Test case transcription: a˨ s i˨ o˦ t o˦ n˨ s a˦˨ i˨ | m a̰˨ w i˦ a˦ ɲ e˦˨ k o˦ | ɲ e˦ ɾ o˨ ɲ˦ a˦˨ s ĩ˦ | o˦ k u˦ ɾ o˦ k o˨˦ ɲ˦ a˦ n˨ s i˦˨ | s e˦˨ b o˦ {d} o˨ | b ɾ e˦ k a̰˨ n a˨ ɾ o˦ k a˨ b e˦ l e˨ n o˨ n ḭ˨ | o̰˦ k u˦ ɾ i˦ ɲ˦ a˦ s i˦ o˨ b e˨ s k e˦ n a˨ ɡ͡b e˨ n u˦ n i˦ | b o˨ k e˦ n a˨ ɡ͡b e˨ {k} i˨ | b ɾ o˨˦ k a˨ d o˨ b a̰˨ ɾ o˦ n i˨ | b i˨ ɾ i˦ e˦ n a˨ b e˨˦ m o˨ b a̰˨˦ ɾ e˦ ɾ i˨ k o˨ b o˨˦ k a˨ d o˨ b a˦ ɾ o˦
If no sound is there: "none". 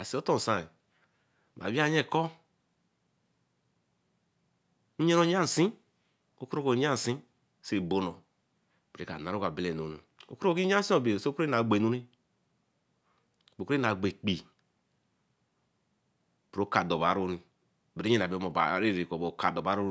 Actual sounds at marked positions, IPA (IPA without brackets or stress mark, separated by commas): n, k͡p